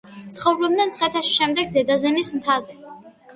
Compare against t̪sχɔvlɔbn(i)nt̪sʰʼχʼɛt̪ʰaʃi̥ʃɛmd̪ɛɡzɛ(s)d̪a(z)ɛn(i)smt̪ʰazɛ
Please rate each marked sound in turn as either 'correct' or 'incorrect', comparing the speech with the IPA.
incorrect: ɛ, incorrect: none, correct, correct

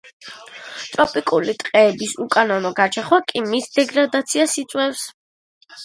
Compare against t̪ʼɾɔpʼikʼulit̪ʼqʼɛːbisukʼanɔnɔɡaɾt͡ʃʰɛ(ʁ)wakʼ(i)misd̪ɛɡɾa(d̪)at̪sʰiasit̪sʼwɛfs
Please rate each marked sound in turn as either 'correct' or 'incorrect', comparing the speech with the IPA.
incorrect: χ, correct, correct

